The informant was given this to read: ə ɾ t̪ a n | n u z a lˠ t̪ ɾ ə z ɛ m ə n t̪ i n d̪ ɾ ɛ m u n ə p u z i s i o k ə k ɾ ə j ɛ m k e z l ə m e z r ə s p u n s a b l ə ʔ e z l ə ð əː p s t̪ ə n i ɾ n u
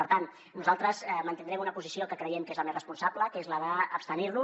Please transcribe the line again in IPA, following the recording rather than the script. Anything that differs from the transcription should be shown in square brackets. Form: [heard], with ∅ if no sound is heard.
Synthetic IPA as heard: ə ɾ t̪ a n | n u z a lˠ t̪ ɾ ə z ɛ m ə n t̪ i n d̪ ɾ ɛ m u n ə p u z i s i o k ə k ɾ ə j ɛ m k e z l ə m e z r ə s p u n s a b l ə [k] e z l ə ð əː p s t̪ ə n i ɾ n u